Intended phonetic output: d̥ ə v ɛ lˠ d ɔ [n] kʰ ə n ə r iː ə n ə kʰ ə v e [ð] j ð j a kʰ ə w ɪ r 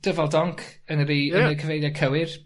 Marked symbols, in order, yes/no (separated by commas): no, no